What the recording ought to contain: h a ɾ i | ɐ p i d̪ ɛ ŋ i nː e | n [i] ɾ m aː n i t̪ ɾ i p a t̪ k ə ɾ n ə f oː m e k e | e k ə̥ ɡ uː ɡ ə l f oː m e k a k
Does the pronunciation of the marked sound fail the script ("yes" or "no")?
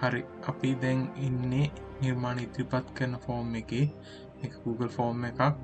no